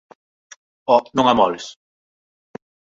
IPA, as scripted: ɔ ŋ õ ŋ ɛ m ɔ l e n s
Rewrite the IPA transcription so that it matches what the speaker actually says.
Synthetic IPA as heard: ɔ n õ ŋ a m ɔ l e s